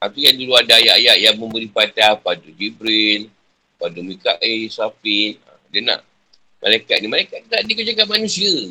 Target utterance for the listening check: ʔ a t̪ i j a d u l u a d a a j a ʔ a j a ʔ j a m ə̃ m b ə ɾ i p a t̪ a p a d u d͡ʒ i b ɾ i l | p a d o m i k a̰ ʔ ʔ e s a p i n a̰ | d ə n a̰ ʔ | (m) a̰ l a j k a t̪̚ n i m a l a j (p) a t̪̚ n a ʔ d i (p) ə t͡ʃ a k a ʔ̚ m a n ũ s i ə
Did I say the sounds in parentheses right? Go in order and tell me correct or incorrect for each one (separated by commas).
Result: correct, incorrect, incorrect